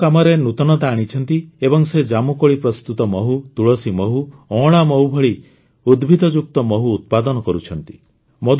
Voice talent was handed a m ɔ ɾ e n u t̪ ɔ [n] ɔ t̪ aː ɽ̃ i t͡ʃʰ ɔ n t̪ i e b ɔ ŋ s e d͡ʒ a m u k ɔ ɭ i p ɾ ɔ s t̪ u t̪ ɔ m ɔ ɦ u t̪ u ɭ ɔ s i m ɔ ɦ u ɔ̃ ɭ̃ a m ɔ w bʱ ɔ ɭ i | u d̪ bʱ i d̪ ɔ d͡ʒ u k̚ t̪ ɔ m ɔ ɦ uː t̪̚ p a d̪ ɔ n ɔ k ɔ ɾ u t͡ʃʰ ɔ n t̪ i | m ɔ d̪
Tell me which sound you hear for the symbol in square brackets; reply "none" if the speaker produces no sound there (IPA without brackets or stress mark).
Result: n